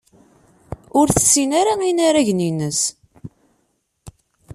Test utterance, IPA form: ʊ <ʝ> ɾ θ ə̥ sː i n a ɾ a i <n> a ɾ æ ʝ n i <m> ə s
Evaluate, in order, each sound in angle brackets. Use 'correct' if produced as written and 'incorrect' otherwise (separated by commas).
incorrect, correct, incorrect